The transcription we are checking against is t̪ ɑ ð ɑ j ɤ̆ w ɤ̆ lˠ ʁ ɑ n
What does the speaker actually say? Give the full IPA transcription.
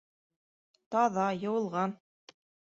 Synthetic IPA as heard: t̪ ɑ ð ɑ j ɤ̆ w ɤ̆ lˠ ʁ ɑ n